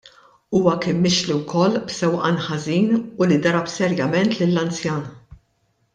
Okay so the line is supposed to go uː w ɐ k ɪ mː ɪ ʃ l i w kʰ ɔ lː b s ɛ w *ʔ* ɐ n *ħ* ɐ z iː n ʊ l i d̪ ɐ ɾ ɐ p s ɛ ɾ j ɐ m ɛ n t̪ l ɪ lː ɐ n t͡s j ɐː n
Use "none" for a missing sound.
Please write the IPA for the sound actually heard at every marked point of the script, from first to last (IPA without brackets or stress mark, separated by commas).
ʔ, ħ